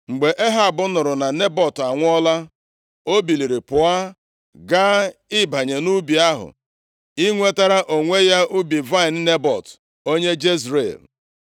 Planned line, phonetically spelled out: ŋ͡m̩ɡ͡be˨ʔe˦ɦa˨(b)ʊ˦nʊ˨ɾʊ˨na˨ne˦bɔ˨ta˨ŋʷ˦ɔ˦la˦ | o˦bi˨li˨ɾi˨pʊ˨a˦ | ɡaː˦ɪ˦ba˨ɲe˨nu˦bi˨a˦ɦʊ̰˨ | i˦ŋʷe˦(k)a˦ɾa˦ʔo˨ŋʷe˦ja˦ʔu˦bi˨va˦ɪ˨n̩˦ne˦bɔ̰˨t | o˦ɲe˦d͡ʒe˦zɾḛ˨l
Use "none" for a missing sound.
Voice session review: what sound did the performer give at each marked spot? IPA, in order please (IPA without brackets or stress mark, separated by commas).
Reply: b, t